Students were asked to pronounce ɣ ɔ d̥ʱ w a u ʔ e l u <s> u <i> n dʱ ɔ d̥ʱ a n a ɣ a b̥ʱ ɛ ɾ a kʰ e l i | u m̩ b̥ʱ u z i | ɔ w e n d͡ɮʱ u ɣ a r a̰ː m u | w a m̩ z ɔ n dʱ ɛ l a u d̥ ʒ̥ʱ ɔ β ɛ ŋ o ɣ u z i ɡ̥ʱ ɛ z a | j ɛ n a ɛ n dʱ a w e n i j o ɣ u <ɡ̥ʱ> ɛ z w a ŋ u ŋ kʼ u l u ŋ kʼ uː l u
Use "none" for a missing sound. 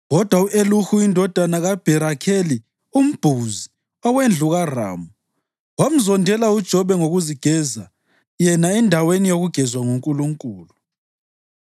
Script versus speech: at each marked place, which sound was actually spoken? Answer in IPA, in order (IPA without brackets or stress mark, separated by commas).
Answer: x, i, ɡ̥ʱ